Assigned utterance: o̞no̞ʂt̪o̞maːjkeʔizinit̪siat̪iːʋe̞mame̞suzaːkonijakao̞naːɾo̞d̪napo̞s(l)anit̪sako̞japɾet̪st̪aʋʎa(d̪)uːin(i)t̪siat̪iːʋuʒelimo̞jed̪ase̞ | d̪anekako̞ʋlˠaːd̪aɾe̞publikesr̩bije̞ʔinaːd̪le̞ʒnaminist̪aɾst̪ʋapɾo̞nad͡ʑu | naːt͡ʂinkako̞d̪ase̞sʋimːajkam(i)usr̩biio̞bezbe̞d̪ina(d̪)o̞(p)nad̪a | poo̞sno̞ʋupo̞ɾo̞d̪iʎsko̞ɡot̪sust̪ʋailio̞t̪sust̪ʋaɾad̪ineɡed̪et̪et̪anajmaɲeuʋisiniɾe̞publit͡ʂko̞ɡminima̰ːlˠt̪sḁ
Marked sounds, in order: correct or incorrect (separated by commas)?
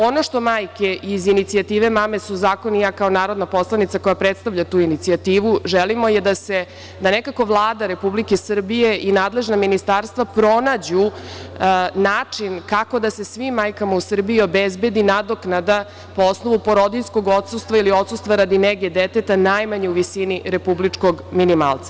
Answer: correct, incorrect, correct, incorrect, correct, incorrect